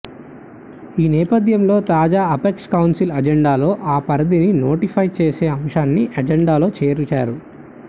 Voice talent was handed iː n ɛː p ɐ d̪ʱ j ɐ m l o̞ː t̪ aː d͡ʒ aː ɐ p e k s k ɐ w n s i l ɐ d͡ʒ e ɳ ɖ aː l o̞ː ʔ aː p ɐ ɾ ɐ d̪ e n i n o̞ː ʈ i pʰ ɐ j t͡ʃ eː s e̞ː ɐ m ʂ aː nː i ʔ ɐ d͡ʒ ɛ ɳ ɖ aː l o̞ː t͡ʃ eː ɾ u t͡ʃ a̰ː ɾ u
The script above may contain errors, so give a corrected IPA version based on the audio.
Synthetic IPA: iː n ɛː p ɐ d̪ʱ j ɐ m l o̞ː t̪ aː d͡ʒ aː ɐ p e k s k ɐ w n s i l ɐ d͡ʒ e ɳ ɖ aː l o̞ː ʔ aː p ɐ ɾ ɐ d̪ i n i n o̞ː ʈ i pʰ ɐ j t͡ʃ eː s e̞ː ɐ m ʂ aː nː i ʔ ɐ d͡ʒ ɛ ɳ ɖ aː l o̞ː t͡ʃ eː ɾ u t͡ʃ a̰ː ɾ u

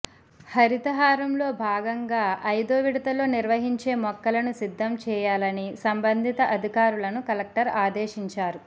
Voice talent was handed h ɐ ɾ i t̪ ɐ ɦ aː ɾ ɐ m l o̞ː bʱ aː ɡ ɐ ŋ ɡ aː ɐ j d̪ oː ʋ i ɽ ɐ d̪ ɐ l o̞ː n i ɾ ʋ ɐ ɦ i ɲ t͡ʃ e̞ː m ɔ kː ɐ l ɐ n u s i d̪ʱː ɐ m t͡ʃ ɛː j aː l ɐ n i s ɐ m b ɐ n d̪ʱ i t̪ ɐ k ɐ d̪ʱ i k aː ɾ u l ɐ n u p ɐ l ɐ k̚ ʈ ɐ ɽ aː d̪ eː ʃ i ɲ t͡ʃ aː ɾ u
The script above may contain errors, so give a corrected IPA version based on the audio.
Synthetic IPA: h ɐ ɾ i t̪ ɐ ɦ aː ɾ ɐ m l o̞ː bʱ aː ɡ ɐ ŋ ɡ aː ɐ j d̪ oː ʋ i ɽ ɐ t̪ ɐ l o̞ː n i ɾ ʋ ɐ ɦ i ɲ t͡ʃ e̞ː m ɔ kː ɐ l ɐ n u s i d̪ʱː ɐ m t͡ʃ ɛː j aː l ɐ n i s ɐ m b ɐ n d̪ʱ i t̪ ɐ ʔ ɐ d̪ʱ i k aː ɾ u l ɐ n u k ɐ l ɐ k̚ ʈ ɐ ɾ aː d̪ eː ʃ i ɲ t͡ʃ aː ɾ u

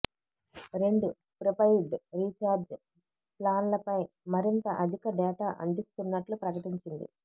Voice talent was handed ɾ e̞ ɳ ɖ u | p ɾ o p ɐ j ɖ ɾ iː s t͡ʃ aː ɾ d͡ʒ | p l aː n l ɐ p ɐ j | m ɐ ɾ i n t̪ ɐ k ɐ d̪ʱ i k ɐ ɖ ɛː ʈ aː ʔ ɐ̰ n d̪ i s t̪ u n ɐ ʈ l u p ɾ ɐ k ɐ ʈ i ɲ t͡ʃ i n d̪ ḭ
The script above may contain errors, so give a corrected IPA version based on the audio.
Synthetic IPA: ɾ e̞ ɳ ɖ u | p ɾ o p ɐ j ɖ ɾ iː t͡ʃ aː ɾ d͡ʒ | p l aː n l ɐ p ɐ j | m ɐ ɾ i n t̪ ɐ ʔ ɐ d̪ʱ i k ɐ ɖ ɛː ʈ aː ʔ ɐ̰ n d̪ i s t̪ u nː ɐ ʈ l u p ɾ ɐ k ɐ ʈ i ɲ t͡ʃ i n d̪ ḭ

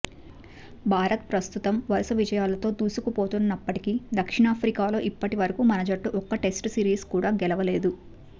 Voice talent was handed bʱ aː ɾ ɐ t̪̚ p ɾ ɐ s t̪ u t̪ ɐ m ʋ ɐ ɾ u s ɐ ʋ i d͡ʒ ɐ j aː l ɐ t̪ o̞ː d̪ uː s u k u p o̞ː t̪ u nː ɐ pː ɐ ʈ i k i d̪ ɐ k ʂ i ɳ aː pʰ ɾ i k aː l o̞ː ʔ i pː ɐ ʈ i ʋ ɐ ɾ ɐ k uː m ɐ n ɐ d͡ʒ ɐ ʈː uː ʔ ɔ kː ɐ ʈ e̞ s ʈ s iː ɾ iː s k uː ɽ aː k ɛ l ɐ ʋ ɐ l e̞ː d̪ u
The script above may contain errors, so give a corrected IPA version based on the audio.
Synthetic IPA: bʱ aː ɾ ɐ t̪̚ p ɾ ɐ s t̪ u t̪ ɐ m ʋ ɐ ɾ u s ɐ ʋ i d͡ʒ ɐ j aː l ɐ t̪ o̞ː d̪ uː s u k u p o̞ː t̪ u nː ɐ pː ɐ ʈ i k i d̪ ɐ k ʂ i ɳ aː pʰ ɾ i k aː l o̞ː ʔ i pː ɐ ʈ i ʋ ɐ ɾ ɐ k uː m ɐ n ɐ d͡ʒ ɐ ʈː u ʔ ɔ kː ɐ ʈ e̞ s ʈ s iː ɾ iː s k uː ɽ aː ɡ ɛ l ɐ ʋ ɐ l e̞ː d̪ u

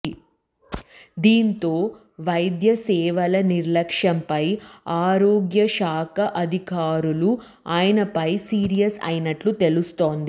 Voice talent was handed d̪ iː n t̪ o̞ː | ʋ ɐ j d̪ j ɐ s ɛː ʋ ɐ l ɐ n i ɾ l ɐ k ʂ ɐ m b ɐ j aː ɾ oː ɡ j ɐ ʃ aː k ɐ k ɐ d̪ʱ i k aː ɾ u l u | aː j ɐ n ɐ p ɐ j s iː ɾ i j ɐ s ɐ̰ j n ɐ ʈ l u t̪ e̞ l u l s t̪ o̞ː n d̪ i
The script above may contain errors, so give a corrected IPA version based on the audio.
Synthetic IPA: d̪ iː n t̪ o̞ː | ʋ ɐ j d̪ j ɐ s ɛː ʋ ɐ l ɐ n i ɾ l ɐ k ʂ ɐ m p ɐ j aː ɾ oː ɡ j ɐ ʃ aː k ɐ ʔ ɐ d̪ʱ i k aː ɾ u l u | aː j ɐ n ɐ p ɐ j s iː ɾ i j ɐ s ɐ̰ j n ɐ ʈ l u t̪ e̞ l u s t̪ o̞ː n d̪ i

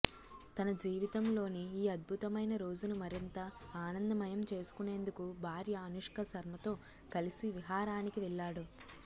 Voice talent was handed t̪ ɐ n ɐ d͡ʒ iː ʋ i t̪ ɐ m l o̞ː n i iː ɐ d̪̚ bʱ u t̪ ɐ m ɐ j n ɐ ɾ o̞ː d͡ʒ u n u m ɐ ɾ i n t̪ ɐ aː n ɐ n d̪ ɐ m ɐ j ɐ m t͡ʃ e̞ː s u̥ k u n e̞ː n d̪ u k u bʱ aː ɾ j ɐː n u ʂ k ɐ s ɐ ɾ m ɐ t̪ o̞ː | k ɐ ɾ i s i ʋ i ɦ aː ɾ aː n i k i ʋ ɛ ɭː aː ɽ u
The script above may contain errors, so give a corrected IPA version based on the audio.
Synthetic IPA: t̪ ɐ n ɐ d͡ʒ iː ʋ i t̪ ɐ m l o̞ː n i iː ɐ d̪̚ bʱ u t̪ ɐ m ɐ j n ɐ ɾ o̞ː d͡ʒ u n u m ɐ ɾ i n t̪ ɐ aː n ɐ n d̪ ɐ m ɐ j ɐ m t͡ʃ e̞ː s u̥ k u n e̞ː n d̪ u k u bʱ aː ɾ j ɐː n u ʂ k ɐ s ɐ ɾ m ɐ t̪ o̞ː | k ɐ l i s i ʋ i ɦ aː ɾ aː n i k i ʋ ɛ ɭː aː ɽ u

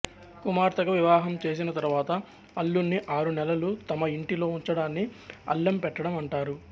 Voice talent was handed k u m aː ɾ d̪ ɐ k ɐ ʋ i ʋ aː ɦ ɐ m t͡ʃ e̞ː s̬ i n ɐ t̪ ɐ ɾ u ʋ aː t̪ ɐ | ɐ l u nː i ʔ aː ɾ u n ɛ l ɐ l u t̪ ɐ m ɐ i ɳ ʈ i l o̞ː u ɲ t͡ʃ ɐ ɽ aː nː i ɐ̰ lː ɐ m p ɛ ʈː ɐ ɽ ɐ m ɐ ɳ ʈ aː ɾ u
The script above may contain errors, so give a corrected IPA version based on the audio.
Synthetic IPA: k u m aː ɾ t̪ ɐ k ɐ ʋ i ʋ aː ɦ ɐ m t͡ʃ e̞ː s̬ i n ɐ t̪ ɐ ɾ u ʋ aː t̪ ɐ | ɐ lː u nː i ʔ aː ɾ u n ɛ l ɐ l u t̪ ɐ m ɐ i ɳ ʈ i l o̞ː u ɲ t͡ʃ ɐ ɽ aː nː i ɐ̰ lː ɐ m p ɛ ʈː ɐ ɽ ɐ m ɐ ɳ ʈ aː ɾ u

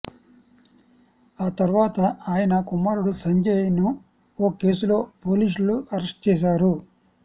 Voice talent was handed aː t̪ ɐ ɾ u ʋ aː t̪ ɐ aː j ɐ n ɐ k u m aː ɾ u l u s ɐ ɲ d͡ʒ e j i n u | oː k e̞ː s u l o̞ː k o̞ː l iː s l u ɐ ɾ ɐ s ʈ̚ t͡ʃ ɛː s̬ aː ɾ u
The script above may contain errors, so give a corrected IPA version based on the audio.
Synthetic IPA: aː t̪ ɐ ɾ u ʋ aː t̪ ɐ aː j ɐ n ɐ k u m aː ɾ u ɽ u s ɐ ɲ d͡ʒ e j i n u | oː k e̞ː s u l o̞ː p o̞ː l iː s l u ɐ ɾ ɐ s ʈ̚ t͡ʃ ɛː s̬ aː ɾ u

